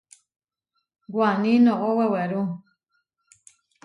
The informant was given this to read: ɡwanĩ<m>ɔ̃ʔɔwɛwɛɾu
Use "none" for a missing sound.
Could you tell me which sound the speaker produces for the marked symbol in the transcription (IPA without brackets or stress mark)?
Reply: n